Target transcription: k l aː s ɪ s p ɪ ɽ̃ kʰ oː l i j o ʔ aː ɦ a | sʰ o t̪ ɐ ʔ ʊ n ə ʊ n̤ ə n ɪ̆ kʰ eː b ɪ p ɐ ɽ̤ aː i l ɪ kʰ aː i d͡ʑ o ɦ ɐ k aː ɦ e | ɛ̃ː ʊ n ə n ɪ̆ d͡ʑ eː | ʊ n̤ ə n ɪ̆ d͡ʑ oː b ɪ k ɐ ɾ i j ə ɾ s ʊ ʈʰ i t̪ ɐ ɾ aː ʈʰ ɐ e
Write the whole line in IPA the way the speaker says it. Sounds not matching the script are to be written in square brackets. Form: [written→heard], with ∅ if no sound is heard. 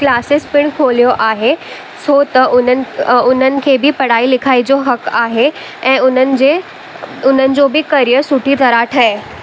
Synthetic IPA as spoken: k l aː s ɪ s p ɪ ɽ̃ kʰ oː l i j o ʔ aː ɦ [a→e] | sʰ o t̪ ɐ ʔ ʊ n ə ʊ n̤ ə n ɪ̆ kʰ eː b ɪ p ɐ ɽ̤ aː i l ɪ kʰ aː i d͡ʑ o ɦ ɐ k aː ɦ e | ɛ̃ː ʊ n ə n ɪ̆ d͡ʑ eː | ʊ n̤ ə n ɪ̆ d͡ʑ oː b ɪ k ɐ ɾ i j ə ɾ s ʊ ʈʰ i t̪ ɐ ɾ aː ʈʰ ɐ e